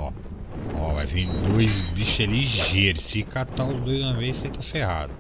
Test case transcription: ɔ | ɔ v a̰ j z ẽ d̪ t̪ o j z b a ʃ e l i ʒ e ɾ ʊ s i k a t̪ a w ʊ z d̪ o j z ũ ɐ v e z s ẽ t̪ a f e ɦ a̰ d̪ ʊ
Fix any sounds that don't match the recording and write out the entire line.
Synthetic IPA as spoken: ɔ | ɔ v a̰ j v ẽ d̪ d̪ o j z b i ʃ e l i ʒ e ɾ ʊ s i k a t̪ a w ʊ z d̪ o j z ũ ɐ v e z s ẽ t̪ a f e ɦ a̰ d̪ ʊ